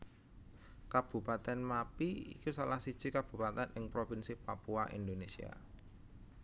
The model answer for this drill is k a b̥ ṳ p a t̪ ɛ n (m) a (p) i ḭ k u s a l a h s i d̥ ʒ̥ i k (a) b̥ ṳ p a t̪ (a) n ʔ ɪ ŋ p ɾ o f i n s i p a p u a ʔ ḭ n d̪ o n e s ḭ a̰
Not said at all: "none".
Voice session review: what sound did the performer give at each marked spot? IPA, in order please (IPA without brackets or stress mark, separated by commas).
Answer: m, p, a, ɛ